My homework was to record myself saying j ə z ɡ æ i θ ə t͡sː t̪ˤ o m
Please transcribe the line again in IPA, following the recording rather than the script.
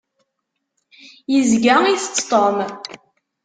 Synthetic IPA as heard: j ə z ɡ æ i θ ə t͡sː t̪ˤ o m